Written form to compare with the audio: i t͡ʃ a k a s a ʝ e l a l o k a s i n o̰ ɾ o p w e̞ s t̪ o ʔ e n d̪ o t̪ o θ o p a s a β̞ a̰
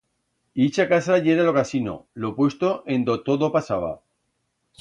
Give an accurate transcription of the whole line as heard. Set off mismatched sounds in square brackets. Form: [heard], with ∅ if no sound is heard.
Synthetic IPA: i t͡ʃ a k a s a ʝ e [ɾ] a l o k a s i n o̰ [l] o p w e̞ s t̪ o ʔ e n d̪ o t̪ o [ð] o p a s a β̞ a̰